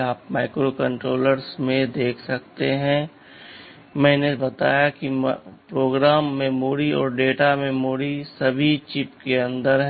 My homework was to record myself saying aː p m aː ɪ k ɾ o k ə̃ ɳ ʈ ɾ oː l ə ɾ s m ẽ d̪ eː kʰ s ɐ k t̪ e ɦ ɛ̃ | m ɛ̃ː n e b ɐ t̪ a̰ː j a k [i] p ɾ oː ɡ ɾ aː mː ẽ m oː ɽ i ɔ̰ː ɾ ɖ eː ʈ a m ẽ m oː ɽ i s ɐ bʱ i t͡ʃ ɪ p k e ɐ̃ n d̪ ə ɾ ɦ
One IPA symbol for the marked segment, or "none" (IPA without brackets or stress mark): i